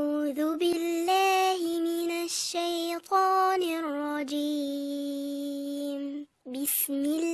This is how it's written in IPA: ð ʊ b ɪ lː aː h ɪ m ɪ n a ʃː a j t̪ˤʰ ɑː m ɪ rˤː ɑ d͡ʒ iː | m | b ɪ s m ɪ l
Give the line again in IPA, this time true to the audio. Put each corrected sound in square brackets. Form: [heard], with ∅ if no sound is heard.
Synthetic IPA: ð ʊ b ɪ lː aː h ɪ m ɪ n a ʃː a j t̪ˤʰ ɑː [n] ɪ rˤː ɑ d͡ʒ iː | m | b ɪ s m ɪ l